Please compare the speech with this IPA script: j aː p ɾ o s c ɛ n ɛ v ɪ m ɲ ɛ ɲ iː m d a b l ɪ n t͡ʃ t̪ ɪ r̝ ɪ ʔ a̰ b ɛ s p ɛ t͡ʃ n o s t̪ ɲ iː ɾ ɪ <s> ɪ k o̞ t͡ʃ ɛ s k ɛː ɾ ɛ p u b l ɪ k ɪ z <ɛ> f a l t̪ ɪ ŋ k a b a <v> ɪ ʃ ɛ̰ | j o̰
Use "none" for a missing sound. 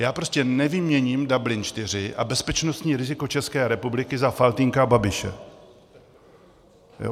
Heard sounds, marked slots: z, a, b

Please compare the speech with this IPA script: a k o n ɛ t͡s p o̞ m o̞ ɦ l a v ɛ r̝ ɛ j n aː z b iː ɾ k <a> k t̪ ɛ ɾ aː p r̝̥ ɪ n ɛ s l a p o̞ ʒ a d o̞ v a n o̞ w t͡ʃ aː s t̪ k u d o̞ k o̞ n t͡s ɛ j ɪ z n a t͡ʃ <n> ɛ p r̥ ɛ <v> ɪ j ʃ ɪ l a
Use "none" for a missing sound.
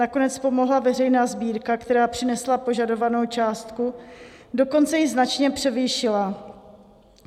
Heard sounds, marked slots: a, ɲ, v

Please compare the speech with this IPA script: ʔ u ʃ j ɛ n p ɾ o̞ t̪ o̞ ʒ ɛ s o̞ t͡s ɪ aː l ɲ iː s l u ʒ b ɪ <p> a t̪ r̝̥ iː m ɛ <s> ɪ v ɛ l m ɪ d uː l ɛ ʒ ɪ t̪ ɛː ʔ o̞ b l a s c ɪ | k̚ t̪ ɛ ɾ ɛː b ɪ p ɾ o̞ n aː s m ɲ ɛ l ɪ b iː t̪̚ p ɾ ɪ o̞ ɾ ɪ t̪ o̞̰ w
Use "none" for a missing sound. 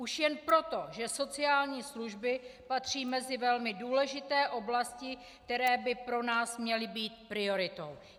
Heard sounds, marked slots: p, z

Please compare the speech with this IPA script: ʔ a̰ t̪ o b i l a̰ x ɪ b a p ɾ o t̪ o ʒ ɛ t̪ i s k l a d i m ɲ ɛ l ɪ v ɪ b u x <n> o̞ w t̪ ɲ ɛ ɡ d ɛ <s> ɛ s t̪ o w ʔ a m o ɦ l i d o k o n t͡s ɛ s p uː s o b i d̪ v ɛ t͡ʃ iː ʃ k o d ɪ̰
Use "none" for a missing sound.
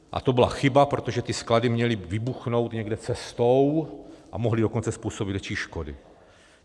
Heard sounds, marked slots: n, t͡s

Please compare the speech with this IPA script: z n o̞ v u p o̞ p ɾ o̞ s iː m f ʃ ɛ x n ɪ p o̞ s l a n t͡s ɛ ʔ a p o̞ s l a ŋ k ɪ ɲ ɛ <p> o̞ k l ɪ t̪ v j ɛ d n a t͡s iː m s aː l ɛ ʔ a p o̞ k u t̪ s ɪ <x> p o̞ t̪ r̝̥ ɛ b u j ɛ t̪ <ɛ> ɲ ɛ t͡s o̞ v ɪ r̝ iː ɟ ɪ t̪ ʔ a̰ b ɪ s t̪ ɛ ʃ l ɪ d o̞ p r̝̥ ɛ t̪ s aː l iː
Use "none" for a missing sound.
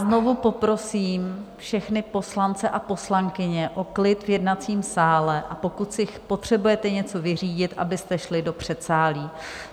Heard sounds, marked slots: ʔ, x, ɛ

